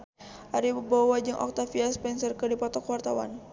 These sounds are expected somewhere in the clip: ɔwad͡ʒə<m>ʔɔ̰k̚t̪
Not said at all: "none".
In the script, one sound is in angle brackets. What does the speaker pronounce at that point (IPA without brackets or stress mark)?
ŋ